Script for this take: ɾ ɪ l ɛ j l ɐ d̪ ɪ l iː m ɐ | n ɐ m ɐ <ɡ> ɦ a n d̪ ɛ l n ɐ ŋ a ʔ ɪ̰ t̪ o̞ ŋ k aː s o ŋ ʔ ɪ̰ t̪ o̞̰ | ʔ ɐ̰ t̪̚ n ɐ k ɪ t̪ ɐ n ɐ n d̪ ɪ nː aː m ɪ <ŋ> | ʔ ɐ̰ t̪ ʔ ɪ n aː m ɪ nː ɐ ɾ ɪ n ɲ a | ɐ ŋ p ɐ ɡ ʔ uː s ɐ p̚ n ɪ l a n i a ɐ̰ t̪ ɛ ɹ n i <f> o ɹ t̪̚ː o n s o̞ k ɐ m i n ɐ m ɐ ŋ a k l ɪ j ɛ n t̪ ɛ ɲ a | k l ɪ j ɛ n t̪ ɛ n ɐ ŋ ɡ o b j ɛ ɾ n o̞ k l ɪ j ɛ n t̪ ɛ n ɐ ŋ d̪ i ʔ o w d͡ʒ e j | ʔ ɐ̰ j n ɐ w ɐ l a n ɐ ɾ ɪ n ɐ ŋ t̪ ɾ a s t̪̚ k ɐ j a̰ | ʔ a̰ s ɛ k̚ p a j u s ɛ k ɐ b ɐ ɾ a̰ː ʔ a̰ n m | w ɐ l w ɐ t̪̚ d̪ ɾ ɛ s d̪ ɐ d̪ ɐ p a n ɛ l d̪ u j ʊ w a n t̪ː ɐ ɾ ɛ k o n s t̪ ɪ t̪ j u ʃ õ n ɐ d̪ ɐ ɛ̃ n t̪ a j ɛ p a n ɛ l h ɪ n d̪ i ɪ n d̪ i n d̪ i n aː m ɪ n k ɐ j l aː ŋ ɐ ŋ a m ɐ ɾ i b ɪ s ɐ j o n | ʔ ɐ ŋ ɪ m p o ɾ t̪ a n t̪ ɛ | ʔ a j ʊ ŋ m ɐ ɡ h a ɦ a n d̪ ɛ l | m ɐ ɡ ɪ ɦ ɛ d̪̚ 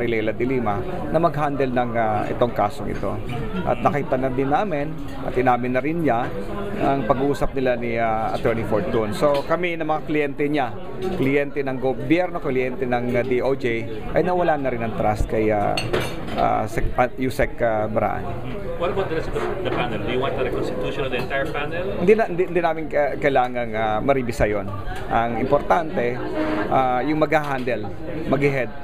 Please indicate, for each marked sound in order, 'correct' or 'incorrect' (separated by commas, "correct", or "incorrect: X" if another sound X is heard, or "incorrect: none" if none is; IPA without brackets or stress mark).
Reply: correct, incorrect: n, correct